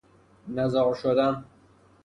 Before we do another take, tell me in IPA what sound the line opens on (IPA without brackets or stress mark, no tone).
n